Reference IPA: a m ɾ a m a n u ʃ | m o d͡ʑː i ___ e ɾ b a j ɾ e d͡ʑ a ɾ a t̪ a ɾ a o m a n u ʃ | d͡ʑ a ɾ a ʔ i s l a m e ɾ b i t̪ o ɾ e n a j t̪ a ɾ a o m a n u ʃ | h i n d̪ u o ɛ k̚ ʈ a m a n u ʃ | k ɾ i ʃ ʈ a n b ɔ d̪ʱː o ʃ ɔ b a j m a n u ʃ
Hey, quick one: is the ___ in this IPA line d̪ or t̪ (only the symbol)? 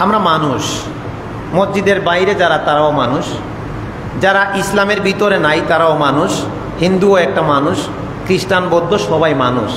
d̪